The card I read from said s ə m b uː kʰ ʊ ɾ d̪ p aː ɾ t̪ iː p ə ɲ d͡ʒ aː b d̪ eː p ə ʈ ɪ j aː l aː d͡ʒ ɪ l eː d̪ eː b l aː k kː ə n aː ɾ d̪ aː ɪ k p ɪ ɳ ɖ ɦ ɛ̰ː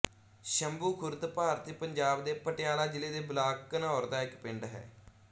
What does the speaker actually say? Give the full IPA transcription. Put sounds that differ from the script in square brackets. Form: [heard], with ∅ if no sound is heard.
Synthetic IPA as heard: [ʃ] ə m b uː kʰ ʊ ɾ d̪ p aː ɾ t̪ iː p ə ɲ d͡ʒ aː b d̪ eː p ə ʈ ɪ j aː l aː d͡ʒ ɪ l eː d̪ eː b l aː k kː ə n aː ɾ d̪ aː ɪ k p ɪ ɳ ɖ ɦ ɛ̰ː